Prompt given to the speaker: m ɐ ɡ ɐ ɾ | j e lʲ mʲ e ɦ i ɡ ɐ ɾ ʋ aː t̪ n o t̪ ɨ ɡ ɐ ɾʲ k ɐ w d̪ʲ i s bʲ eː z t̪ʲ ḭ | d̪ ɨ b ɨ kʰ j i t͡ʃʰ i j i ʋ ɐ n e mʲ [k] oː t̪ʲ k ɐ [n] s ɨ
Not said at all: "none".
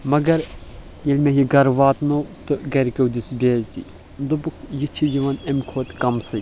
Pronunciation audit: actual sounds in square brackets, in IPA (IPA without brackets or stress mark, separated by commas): kʰ, m